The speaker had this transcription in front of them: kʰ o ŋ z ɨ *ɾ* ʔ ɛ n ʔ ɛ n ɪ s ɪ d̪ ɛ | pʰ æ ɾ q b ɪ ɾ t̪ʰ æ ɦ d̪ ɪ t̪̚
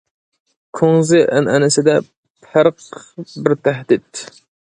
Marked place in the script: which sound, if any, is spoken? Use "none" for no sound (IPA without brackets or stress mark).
none